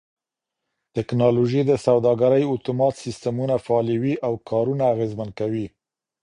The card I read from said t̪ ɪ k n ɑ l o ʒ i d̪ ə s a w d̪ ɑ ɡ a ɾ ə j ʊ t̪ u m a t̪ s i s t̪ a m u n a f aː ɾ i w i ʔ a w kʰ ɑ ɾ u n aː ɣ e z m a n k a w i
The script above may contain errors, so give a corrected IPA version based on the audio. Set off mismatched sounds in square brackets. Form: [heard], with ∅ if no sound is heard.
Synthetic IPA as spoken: t̪ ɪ k n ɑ l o ʒ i d̪ ə s a w d̪ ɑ ɡ a ɾ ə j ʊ t̪ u m [ɑ] t̪ s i s t̪ a m u n a f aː [l] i w i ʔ a w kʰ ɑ ɾ u n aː ɣ e z m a n k a w i